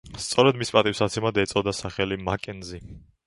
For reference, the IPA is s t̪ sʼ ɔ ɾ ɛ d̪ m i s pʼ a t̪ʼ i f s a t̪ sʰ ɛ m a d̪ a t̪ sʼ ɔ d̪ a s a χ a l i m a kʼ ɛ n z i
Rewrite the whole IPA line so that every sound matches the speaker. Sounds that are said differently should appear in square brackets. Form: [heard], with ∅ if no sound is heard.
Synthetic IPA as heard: s t̪ sʼ ɔ ɾ ɛ d̪ m i s pʼ a t̪ʼ i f s a t̪ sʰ ɛ m a d̪ [ɛ] t̪ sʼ ɔ d̪ a s a χ [ɛ] l i m a kʼ ɛ n z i